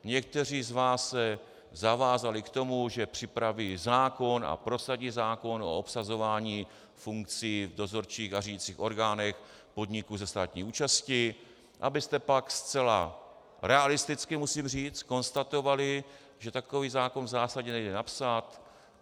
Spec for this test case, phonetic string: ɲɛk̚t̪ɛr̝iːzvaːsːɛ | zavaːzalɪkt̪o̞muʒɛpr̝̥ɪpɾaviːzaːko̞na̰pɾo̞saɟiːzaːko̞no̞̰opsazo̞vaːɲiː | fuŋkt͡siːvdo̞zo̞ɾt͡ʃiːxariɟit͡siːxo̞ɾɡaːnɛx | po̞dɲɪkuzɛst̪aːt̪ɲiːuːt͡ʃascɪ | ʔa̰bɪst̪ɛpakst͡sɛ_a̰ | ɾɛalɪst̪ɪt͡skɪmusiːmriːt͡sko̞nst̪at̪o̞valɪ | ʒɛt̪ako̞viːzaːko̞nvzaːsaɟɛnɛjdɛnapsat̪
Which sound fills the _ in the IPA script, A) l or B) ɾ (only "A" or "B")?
A